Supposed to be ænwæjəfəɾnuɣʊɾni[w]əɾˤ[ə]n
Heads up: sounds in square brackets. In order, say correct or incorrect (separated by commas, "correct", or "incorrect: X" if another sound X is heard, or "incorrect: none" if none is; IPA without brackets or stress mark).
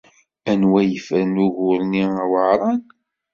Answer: correct, incorrect: ɑ